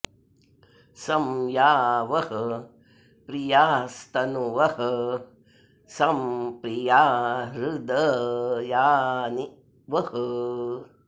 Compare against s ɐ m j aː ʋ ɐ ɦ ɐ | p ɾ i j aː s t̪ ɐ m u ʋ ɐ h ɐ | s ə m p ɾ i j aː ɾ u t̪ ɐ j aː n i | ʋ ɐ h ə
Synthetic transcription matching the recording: s ɐ m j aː ʋ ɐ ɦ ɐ | p ɾ i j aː s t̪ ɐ n u ʋ ɐ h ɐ | s ɐ m p ɾ i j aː ɾ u d̪ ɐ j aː n i | ʋ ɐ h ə